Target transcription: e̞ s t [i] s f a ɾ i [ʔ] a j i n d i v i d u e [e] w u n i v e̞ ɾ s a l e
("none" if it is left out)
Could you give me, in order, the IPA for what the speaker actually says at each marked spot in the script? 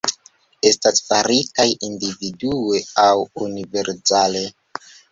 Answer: a, k, a

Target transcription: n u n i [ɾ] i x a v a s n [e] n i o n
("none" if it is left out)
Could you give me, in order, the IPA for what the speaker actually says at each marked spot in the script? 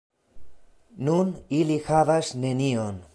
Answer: l, e

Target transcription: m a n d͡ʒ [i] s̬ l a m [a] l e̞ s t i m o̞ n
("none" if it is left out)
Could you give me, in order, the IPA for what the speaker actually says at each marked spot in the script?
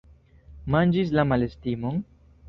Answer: i, a

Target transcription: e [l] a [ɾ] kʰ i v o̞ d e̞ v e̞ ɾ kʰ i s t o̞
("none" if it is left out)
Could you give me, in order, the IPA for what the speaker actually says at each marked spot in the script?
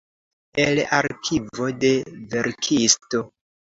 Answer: l, ɾ

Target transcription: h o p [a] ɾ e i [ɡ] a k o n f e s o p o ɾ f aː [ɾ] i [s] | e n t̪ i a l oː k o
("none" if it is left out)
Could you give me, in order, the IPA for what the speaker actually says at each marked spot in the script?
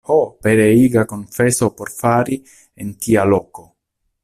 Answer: e, ɡ, ɾ, none

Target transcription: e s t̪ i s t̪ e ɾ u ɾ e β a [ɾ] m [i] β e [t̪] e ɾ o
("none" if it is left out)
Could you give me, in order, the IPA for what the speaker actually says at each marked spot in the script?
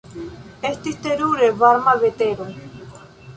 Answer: ɾ, a, t̪

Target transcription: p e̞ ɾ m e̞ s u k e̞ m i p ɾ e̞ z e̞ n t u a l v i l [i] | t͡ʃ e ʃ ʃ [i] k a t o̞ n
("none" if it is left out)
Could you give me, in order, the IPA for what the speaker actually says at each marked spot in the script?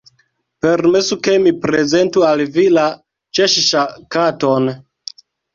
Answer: a, a

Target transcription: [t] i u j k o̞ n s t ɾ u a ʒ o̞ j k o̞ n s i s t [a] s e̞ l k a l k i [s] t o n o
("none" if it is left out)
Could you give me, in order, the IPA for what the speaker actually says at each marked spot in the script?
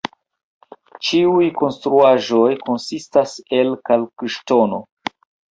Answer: t͡ʃ, a, ʃ

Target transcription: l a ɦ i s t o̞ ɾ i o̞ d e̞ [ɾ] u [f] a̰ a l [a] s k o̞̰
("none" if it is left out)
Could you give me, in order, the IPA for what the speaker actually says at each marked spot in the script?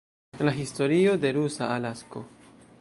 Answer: ɾ, s, a

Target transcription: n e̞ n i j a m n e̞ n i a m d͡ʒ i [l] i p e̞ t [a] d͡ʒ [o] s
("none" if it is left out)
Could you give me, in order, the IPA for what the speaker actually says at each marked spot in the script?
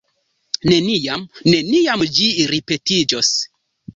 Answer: ɾ, i, o

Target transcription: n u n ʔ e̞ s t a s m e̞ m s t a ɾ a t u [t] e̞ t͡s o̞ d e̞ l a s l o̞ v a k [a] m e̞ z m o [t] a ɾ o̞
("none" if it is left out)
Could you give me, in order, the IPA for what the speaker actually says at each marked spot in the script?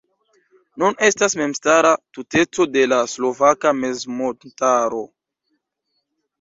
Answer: t, a, t

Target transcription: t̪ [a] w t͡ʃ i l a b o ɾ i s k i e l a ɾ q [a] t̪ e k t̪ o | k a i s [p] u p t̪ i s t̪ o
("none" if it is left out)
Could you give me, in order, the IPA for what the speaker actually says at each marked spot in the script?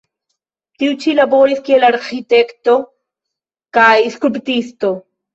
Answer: i, i, k

